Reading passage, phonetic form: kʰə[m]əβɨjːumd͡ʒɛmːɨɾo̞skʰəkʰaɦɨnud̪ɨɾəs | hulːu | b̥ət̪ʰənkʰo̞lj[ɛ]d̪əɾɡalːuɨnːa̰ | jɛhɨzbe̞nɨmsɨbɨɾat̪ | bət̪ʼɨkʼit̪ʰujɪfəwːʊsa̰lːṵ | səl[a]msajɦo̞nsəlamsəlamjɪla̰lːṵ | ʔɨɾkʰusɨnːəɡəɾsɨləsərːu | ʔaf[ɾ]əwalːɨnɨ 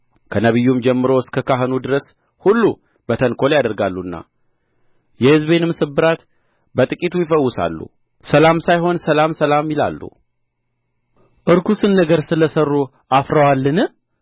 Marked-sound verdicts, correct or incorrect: incorrect: n, incorrect: a, correct, correct

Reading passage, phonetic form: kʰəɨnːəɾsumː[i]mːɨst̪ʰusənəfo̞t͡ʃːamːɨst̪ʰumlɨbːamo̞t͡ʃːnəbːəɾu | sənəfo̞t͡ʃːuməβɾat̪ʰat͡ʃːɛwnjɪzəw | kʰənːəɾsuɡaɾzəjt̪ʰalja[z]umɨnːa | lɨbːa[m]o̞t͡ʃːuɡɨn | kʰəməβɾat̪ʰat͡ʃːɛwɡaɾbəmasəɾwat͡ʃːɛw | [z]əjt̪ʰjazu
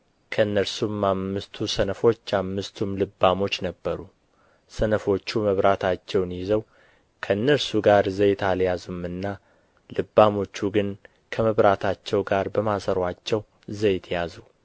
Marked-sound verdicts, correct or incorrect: incorrect: a, correct, correct, correct

